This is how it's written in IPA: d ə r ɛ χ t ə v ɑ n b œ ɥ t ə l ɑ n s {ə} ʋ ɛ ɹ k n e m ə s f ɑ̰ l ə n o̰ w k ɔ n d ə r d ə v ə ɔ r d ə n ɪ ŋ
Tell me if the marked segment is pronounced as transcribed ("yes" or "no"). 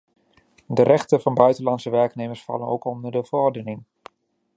yes